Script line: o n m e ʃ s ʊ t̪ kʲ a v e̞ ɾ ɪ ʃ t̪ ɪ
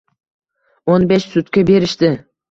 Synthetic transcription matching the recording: o n b e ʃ s ʊ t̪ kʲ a b e̞ ɾ ɪ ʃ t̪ ɪ